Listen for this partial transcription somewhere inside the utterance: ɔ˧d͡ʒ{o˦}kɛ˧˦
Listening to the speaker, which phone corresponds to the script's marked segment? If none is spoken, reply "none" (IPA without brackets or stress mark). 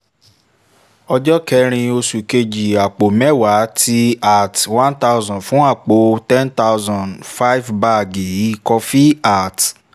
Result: ɔ˦